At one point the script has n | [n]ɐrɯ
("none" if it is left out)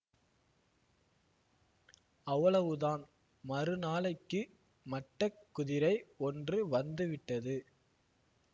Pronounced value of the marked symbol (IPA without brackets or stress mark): m